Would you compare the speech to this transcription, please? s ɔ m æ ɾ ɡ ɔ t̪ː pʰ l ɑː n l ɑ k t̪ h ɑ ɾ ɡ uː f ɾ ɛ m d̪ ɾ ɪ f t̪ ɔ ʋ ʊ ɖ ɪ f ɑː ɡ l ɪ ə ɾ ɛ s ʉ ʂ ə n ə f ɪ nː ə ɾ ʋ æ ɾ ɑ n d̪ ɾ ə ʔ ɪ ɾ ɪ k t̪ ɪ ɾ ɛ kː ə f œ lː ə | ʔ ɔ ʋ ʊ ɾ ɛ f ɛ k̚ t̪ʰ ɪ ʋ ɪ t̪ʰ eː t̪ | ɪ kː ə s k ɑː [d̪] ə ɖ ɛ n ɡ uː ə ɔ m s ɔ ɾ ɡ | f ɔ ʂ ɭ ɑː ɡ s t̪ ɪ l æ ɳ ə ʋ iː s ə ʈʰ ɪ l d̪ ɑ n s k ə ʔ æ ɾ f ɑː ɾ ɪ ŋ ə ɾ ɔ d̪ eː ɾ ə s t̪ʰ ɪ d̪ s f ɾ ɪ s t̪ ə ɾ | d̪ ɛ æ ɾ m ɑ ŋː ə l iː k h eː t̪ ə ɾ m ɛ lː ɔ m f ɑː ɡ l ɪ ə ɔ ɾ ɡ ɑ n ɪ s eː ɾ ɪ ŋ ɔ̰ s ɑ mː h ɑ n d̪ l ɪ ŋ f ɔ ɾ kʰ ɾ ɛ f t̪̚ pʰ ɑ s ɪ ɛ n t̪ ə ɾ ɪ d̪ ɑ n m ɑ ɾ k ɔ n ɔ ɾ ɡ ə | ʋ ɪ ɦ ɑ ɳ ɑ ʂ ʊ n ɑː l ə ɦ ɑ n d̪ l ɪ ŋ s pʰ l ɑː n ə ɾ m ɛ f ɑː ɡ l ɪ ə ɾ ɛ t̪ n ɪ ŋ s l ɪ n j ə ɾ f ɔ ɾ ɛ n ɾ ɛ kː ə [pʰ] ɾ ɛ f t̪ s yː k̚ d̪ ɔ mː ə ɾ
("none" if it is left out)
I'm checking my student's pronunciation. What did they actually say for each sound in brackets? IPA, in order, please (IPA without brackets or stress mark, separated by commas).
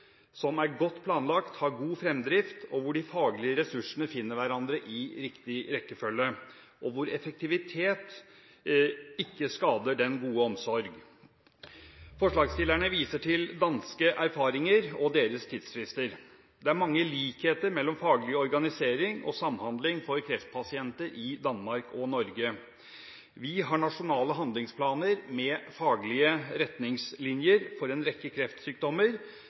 d̪, kʰ